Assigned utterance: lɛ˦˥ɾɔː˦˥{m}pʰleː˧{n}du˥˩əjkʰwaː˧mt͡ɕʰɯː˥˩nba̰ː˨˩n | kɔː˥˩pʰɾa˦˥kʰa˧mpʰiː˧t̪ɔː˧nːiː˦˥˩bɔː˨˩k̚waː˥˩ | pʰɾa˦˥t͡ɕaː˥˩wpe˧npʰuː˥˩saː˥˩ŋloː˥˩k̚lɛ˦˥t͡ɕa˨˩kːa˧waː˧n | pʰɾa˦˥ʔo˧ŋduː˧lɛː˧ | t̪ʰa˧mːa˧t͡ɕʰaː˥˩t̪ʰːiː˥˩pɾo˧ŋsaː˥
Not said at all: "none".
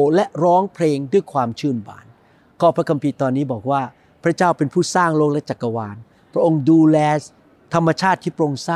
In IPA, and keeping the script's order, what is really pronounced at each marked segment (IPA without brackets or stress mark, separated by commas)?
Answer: ŋ, ŋ